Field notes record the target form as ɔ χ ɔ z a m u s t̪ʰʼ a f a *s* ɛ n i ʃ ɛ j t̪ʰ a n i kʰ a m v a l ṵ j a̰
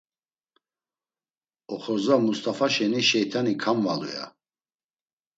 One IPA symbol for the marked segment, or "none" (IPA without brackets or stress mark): ʃ